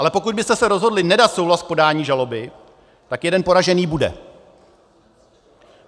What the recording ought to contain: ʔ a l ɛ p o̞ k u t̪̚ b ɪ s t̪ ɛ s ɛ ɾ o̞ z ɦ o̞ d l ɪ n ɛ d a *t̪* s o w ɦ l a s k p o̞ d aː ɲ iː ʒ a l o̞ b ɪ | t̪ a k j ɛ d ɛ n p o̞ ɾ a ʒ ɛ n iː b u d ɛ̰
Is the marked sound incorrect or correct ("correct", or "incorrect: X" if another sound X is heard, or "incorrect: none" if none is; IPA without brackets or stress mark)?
correct